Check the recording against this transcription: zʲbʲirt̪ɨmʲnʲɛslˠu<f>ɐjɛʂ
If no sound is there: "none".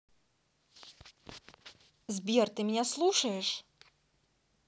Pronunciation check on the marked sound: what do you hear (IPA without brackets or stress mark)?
ʂ